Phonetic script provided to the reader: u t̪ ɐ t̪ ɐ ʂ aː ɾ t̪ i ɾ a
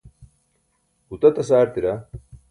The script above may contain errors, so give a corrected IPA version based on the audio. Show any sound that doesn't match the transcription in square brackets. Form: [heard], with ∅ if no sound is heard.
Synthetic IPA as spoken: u t̪ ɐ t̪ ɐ [s] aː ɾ t̪ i ɾ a